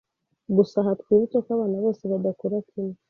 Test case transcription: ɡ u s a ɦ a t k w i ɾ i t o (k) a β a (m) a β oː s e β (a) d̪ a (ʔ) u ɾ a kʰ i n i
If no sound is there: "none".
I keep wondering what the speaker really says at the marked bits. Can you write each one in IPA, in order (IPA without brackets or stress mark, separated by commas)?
k, n, a, k